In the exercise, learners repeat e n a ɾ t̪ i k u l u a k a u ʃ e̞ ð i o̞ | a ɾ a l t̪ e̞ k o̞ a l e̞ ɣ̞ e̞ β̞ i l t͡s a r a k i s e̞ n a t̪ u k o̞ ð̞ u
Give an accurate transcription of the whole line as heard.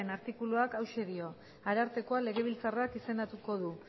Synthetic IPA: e n a ɾ t̪ i k u l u a k a w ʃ e̞ ð i o̞ | a ɾ a ɾ t̪ e̞ k o̞ a l e̞ ɣ̞ e̞ β̞ i l t͡s a r a k i s e̞ n a t̪ u k o̞ ð̞ u